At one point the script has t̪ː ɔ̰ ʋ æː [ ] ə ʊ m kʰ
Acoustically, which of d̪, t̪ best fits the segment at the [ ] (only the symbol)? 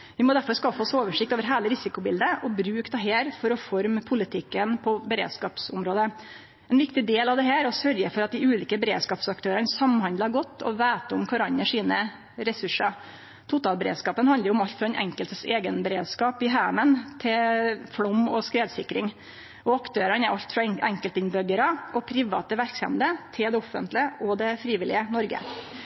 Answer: t̪